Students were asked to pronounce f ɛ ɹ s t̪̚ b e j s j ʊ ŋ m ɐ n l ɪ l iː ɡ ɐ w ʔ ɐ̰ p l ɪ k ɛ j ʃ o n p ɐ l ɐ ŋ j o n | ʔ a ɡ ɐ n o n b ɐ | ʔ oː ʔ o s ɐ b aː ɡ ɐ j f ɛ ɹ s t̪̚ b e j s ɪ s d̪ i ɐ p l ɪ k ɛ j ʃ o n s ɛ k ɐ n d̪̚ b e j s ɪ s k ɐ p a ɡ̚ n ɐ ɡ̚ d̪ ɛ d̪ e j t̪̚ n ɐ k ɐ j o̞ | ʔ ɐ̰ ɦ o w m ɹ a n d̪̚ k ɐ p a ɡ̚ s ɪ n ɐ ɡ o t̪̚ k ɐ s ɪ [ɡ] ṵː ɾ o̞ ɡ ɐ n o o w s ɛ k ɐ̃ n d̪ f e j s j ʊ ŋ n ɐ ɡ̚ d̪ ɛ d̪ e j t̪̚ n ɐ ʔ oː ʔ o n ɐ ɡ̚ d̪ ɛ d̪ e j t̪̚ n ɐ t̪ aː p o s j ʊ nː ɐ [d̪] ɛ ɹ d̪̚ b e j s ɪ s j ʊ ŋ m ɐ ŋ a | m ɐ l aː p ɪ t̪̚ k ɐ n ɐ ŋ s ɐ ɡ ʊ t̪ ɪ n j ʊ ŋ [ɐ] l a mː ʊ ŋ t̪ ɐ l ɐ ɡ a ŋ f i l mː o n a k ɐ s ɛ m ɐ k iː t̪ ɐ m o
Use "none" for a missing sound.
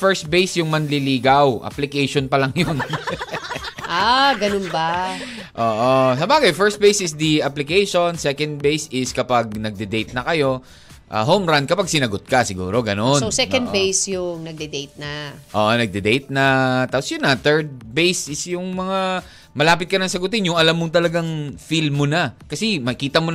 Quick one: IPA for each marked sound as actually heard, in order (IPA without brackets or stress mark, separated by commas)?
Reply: ɡ, t̪, ɐ